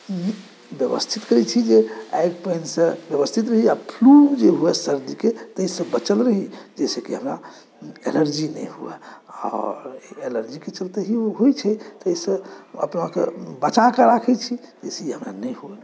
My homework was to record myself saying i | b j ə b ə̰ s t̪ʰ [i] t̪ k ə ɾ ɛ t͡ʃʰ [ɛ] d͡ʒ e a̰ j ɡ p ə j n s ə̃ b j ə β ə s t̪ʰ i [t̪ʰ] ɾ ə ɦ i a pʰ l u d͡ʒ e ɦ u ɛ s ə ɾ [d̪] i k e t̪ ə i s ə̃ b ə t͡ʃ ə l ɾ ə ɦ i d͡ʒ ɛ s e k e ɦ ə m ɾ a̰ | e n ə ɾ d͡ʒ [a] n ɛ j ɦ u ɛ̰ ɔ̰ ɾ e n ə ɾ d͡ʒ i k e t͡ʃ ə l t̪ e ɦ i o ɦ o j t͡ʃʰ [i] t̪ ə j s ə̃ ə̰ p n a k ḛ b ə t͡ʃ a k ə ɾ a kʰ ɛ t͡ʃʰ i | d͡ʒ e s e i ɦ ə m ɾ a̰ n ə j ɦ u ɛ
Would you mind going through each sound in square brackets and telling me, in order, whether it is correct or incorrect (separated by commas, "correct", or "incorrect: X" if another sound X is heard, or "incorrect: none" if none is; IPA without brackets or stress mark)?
correct, incorrect: i, incorrect: t̪, correct, incorrect: i, incorrect: ɛ